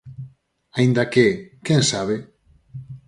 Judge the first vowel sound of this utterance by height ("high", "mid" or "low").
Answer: low